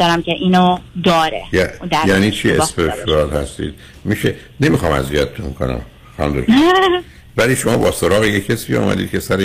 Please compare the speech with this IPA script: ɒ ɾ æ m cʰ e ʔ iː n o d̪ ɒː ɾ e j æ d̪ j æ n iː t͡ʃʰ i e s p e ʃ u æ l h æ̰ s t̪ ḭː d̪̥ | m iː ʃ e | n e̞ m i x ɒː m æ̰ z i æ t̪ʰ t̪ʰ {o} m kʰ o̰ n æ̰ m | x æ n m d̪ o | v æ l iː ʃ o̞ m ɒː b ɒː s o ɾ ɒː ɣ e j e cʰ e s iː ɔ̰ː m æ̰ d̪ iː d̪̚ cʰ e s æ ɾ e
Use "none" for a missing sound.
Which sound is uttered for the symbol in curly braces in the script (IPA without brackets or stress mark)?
u